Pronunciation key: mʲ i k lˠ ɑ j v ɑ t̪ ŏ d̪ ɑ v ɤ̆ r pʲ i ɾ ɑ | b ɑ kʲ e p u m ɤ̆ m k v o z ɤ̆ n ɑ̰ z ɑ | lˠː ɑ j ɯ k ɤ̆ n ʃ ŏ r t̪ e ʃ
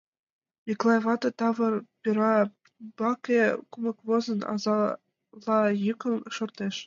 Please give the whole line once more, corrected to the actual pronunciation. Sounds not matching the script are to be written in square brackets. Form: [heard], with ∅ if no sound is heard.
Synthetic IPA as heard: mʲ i k lˠ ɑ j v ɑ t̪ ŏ [t̪] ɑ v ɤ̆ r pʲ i ɾ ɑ | b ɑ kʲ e [k] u m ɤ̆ [∅] k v o z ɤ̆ n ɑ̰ z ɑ | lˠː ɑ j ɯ k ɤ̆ n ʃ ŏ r t̪ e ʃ